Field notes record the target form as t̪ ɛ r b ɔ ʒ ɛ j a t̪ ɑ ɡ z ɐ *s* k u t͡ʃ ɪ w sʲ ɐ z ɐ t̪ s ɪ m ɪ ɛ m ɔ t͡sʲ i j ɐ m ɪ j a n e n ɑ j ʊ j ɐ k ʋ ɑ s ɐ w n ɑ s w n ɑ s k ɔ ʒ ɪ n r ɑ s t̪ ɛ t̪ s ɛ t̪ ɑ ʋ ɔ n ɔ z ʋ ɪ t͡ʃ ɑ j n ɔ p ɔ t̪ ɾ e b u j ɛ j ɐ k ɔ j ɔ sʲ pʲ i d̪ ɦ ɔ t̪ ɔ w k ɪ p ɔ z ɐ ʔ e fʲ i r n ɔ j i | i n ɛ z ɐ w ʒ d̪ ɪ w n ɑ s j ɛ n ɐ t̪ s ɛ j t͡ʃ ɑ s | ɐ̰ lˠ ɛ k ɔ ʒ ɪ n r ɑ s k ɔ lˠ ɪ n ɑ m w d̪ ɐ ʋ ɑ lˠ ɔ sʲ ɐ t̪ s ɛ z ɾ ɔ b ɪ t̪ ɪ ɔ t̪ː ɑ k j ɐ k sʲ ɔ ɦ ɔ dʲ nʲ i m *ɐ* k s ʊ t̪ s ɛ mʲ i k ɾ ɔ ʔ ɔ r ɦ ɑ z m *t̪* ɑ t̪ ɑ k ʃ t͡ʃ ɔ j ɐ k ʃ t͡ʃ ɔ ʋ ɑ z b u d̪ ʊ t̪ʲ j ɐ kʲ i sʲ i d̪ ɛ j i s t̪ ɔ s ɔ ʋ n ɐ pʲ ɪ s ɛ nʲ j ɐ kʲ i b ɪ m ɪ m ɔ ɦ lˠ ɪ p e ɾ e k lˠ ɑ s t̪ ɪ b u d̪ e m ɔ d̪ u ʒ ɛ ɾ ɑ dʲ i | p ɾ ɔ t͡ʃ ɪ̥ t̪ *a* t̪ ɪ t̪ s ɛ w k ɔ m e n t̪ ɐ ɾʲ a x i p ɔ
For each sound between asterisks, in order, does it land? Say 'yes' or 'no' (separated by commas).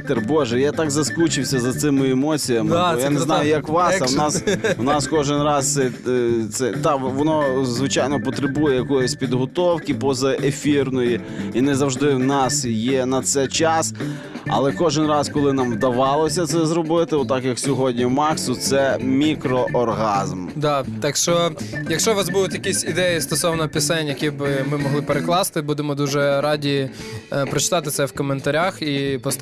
yes, no, no, no